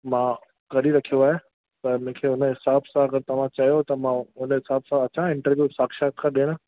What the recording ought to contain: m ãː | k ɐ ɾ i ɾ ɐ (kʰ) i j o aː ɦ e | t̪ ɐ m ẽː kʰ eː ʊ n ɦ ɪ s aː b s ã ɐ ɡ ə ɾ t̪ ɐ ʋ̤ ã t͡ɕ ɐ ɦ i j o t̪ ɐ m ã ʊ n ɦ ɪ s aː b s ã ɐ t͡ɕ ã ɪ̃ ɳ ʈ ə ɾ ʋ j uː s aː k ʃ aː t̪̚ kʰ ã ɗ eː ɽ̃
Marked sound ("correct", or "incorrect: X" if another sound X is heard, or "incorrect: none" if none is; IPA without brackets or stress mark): correct